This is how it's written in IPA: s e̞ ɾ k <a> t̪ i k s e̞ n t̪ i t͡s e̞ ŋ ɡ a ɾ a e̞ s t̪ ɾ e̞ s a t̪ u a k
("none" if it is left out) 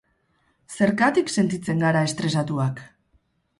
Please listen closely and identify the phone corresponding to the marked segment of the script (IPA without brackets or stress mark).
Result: a